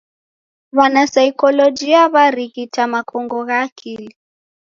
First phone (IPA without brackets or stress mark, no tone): β